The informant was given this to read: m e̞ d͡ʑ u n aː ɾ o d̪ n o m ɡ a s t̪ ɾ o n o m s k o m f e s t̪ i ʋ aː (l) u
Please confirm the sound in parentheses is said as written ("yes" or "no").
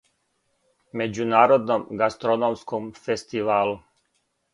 yes